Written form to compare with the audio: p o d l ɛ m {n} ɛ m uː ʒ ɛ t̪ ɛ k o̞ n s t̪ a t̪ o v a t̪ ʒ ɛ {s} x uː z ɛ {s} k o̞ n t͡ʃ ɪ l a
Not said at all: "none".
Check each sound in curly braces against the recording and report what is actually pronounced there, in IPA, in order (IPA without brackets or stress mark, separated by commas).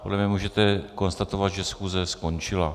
ɲ, s, s